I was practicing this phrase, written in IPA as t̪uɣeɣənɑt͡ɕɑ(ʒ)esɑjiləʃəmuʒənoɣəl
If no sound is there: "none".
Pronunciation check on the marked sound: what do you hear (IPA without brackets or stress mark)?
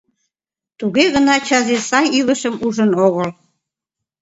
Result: z